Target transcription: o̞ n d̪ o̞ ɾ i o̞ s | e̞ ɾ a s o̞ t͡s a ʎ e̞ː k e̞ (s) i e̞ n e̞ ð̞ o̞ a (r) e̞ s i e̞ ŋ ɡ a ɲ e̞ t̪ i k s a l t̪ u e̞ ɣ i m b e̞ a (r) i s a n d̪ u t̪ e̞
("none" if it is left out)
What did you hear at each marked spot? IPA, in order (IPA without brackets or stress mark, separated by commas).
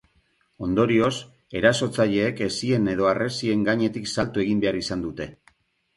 s, r, ɾ